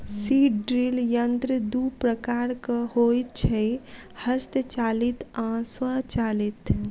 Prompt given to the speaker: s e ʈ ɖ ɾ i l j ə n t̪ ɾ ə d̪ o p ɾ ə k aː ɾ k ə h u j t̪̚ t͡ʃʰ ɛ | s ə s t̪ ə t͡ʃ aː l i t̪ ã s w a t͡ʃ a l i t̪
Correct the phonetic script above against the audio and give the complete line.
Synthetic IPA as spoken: s i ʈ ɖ ɾ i l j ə n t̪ ɾ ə d̪ u p ɾ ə k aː ɾ k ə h o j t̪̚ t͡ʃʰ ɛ | h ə s t̪ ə t͡ʃ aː l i t̪ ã s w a t͡ʃ a l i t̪